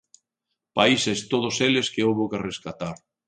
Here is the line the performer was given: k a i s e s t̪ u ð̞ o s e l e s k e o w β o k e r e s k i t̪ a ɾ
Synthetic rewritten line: p a i s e s t̪ o ð̞ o s e l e s k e o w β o k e r e s k a t̪ a ɾ